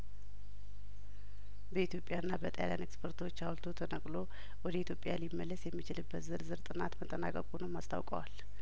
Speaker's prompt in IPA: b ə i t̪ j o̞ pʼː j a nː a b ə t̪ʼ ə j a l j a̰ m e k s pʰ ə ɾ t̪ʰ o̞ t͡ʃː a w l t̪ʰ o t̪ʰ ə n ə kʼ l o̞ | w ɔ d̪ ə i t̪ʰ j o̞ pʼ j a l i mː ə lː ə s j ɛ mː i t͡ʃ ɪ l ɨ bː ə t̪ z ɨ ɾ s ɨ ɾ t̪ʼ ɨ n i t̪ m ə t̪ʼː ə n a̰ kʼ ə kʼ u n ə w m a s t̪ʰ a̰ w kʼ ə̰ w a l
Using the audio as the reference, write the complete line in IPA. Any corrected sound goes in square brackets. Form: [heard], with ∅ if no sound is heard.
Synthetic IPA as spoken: b ə i t̪ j o̞ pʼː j a nː a b ə t̪ʼ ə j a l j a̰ [n] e k s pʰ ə ɾ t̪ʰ o̞ t͡ʃː a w l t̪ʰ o t̪ʰ ə n ə kʼ l o̞ | w ɔ d̪ ə i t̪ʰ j o̞ pʼ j a l i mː ə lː ə s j ɛ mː i t͡ʃ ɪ l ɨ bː ə t̪ z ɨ ɾ [z] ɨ ɾ t̪ʼ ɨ n [a] t̪ m ə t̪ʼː ə n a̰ kʼ ə kʼ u n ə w m a s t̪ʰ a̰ w kʼ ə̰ w a l